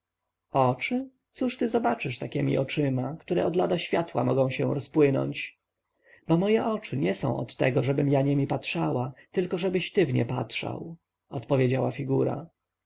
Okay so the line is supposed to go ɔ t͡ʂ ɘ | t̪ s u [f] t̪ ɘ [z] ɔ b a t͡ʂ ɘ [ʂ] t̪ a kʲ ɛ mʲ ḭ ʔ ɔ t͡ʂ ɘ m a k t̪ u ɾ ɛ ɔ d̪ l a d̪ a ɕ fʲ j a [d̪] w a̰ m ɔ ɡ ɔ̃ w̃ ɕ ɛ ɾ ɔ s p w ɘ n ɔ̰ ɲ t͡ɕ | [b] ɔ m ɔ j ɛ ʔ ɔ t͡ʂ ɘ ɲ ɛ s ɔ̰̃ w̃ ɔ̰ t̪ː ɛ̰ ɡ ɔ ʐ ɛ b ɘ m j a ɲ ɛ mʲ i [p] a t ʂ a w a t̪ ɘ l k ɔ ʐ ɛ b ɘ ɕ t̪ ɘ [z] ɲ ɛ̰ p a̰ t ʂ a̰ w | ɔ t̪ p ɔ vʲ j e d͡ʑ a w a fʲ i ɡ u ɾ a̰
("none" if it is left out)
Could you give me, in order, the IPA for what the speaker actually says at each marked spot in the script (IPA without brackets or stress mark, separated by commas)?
ʂ, z, ʂ, t̪, b, p, v